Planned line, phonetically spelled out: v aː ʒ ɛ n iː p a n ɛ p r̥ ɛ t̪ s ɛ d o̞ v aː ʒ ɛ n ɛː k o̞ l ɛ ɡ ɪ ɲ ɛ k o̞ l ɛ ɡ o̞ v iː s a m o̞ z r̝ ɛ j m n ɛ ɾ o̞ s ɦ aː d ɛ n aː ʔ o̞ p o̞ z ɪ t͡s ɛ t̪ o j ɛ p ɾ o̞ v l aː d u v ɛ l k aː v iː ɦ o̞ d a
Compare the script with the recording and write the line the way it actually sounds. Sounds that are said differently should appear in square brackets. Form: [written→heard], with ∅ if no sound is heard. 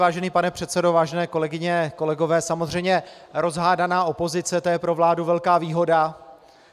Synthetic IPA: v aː ʒ ɛ n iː p a n ɛ p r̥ ɛ t̪ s ɛ d o̞ v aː ʒ ɛ n ɛː k o̞ l ɛ ɡ ɪ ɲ ɛ k o̞ l ɛ ɡ o̞ v [iː→ɛː] s a m o̞ z r̝ ɛ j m [n→ɲ] ɛ ɾ o̞ [s→z] ɦ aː d [ɛ→a] n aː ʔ o̞ p o̞ z ɪ t͡s ɛ t̪ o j ɛ p ɾ o̞ v l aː d u v ɛ l k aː v iː ɦ o̞ d a

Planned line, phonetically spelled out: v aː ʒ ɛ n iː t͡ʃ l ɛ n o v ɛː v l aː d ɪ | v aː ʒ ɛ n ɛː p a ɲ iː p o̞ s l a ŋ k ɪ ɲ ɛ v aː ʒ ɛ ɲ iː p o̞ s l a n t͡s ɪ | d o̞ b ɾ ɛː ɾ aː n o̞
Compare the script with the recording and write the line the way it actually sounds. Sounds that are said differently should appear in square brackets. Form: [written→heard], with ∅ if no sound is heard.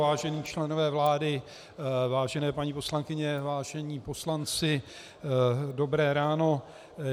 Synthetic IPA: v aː ʒ ɛ n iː t͡ʃ l ɛ n o v ɛː v l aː d ɪ | v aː ʒ ɛ n ɛː p a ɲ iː p o̞ s l a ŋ k ɪ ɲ ɛ v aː ʒ ɛ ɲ iː p o̞ s l a n t͡s ɪ | d o̞ b ɾ ɛː ɾ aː n o̞

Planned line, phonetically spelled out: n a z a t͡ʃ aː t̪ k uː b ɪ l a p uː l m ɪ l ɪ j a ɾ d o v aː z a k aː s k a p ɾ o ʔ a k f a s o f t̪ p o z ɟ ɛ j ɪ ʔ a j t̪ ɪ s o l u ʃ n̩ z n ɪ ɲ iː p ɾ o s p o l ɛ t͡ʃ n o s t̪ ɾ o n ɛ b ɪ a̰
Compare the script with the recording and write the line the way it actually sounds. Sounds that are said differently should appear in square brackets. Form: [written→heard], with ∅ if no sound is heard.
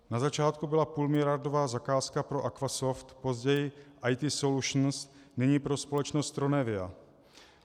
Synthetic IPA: n a z a t͡ʃ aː t̪ k [uː→u] b ɪ l a p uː l m ɪ l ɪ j a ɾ d o v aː z a k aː s k a p ɾ o ʔ a k [f→v] a s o f t̪ p o z ɟ ɛ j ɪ ʔ a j t̪ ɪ s o l u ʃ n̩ [z→s] n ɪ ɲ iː p ɾ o s p o l ɛ t͡ʃ n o s t̪ ɾ o n ɛ [b→v] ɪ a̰

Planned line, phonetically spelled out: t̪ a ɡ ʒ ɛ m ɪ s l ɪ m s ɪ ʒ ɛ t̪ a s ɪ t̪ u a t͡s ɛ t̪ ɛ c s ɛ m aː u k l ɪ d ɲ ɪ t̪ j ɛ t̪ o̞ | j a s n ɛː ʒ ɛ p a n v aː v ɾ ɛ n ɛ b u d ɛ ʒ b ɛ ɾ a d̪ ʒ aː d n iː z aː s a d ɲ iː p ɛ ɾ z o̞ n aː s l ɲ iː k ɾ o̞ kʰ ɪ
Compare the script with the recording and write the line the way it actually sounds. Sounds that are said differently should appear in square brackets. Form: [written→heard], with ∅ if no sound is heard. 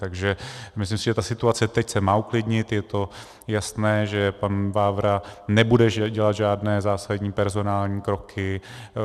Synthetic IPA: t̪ a ɡ ʒ ɛ m ɪ s l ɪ m s ɪ ʒ ɛ t̪ a s ɪ t̪ u a t͡s ɛ t̪ ɛ c s ɛ m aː u k l ɪ d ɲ ɪ t̪ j ɛ t̪ o̞ | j a s n ɛː ʒ ɛ p a n v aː v ɾ [ɛ→a] n ɛ b u d ɛ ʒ [b→ɟ] ɛ [ɾ→l] a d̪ ʒ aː d n [iː→ɛː] z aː s a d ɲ iː p ɛ ɾ z o̞ n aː [s→∅] l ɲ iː k ɾ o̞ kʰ ɪ

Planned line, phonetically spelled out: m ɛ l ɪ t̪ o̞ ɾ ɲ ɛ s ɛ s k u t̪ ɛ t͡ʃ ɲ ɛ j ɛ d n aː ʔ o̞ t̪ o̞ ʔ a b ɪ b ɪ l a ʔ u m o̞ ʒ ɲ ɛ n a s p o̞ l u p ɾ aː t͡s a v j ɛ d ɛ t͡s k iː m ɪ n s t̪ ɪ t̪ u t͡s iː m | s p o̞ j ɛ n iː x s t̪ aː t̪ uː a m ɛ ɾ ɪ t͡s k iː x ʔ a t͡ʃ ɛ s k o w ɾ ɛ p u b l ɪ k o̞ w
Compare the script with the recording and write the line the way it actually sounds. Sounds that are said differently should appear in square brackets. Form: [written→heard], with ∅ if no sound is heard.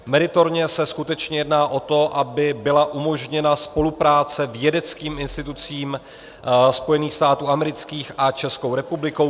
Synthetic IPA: m ɛ [l→ɾ] ɪ t̪ o̞ ɾ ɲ ɛ s ɛ s k u t̪ ɛ t͡ʃ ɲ ɛ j ɛ d n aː ʔ o̞ t̪ o̞ ʔ a b ɪ b ɪ l a ʔ u m o̞ ʒ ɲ ɛ n a s p o̞ l u p ɾ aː t͡s [a→ɛ] v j ɛ d ɛ t͡s k iː m ɪ n s t̪ ɪ t̪ u t͡s iː m | s p o̞ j ɛ n iː x s t̪ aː t̪ uː a m ɛ ɾ ɪ t͡s k iː x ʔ a t͡ʃ ɛ s k o w ɾ ɛ p u b l ɪ k o̞ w

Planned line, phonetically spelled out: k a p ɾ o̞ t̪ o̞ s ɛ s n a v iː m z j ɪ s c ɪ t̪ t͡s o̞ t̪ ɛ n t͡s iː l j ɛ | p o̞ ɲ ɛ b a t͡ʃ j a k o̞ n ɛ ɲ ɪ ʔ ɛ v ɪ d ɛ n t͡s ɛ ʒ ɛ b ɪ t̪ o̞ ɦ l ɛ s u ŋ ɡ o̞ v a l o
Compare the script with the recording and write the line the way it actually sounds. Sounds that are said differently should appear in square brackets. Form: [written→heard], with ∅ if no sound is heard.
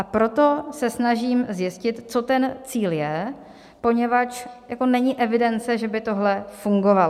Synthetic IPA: [k→ʔ] a p ɾ o̞ t̪ o̞ s ɛ s n a [v→ʒ] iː m z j ɪ s c ɪ t̪ t͡s o̞ t̪ ɛ n t͡s iː l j ɛ | p o̞ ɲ ɛ [b→v] a t͡ʃ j a k o̞ n ɛ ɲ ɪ ʔ ɛ v ɪ d ɛ n t͡s ɛ ʒ ɛ b ɪ t̪ o̞ ɦ l ɛ [s→f] u ŋ ɡ o̞ v a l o

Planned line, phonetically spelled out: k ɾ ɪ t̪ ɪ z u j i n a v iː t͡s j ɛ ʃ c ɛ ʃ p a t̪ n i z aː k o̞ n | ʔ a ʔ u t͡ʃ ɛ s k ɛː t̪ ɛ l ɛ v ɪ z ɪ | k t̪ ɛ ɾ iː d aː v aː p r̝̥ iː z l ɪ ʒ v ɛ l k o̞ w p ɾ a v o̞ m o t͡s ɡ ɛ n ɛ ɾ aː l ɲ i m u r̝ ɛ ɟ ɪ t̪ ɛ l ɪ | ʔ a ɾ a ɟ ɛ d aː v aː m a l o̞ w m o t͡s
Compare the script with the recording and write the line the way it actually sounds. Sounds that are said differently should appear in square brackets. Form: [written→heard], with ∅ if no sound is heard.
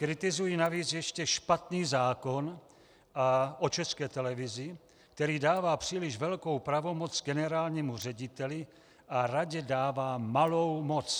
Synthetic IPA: k ɾ ɪ t̪ ɪ z u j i n a v iː t͡s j ɛ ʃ c ɛ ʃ p a t̪ n [i→iː] z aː k o̞ n | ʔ a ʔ [u→o] t͡ʃ ɛ s k ɛː t̪ ɛ l ɛ v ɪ z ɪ | k t̪ ɛ ɾ iː d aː v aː p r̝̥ iː [z→∅] l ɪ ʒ v ɛ l k o̞ w p ɾ a v o̞ m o t͡s ɡ ɛ n ɛ ɾ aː l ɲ i m u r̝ ɛ ɟ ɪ t̪ ɛ l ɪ | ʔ a ɾ a ɟ ɛ d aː v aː m a l o̞ w m o t͡s

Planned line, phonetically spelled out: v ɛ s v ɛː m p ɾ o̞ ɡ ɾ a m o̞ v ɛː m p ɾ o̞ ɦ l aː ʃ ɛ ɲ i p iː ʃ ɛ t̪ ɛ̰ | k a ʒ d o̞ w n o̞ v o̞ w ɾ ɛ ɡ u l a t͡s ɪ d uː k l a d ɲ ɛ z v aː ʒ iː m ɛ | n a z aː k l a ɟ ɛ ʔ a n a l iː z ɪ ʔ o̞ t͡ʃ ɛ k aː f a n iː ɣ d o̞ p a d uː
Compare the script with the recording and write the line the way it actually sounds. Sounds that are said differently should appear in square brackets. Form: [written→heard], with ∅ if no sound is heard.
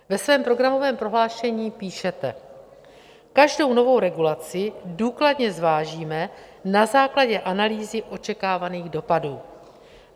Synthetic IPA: v ɛ s v ɛː m p ɾ o̞ ɡ ɾ a m o̞ v ɛː m p ɾ o̞ ɦ l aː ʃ ɛ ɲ [i→iː] p iː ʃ ɛ t̪ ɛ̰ | k a ʒ d o̞ w n o̞ v o̞ w ɾ ɛ ɡ u l a t͡s ɪ d uː k l a d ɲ ɛ z v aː ʒ iː m ɛ | n a z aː k l a ɟ ɛ ʔ a n a l iː z ɪ ʔ o̞ t͡ʃ ɛ k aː [f→v] a n iː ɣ d o̞ p a d uː

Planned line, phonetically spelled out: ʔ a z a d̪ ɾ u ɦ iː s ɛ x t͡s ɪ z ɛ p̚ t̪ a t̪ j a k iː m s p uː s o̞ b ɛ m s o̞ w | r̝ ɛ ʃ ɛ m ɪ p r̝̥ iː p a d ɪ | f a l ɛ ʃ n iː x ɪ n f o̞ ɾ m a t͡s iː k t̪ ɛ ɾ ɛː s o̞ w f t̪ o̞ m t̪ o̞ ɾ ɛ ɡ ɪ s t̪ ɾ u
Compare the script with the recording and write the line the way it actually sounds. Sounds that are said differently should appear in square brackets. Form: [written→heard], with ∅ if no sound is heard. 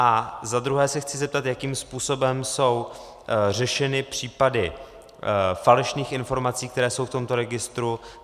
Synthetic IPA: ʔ a z a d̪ ɾ u ɦ [iː→ɛː] s ɛ x t͡s ɪ z ɛ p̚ t̪ a t̪ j a k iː m s p uː s o̞ b ɛ m s o̞ w | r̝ ɛ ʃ ɛ [m→n] ɪ p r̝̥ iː p a d ɪ | f a l ɛ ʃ n iː x ɪ n f o̞ ɾ m a t͡s iː k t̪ ɛ ɾ ɛː s o̞ w f t̪ o̞ m t̪ o̞ ɾ ɛ ɡ ɪ s t̪ ɾ u

